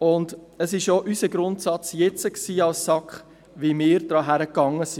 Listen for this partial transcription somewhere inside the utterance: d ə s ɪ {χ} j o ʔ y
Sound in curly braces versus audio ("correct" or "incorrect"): incorrect